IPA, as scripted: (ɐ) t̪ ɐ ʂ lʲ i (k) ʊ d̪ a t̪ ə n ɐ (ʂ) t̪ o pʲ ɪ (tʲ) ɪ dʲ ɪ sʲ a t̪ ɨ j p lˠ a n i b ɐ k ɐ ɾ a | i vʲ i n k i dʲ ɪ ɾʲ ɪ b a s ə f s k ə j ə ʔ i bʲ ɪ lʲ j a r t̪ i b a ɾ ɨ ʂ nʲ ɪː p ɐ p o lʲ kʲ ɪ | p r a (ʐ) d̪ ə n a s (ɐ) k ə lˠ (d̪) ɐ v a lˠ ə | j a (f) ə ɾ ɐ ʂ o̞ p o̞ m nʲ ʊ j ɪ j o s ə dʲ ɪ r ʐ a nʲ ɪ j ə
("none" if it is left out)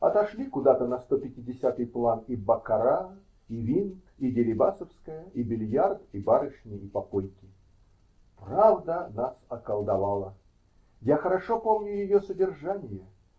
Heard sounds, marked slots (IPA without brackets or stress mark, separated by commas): ɐ, k, s, tʲ, v, ɐ, d̪, x